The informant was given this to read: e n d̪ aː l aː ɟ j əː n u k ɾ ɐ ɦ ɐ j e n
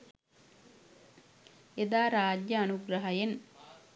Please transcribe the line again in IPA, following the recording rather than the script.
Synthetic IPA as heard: e d̪ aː ɾ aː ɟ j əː n u ɡ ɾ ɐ ɦ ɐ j e n